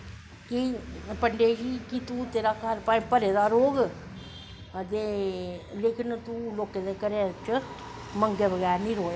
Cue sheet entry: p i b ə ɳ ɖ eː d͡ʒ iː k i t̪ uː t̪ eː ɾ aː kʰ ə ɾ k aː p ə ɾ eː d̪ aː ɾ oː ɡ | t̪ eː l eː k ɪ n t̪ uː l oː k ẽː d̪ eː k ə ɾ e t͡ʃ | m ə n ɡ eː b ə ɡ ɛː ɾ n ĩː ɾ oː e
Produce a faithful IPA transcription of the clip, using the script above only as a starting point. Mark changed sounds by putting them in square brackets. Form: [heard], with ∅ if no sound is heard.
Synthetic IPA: [k] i [p] ə ɳ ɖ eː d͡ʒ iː k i t̪ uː t̪ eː ɾ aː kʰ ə ɾ [p] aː p ə ɾ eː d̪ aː ɾ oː ɡ | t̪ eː l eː k ɪ n t̪ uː l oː k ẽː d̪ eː k ə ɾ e t͡ʃ | m ə [ŋ] ɡ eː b ə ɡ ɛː ɾ n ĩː ɾ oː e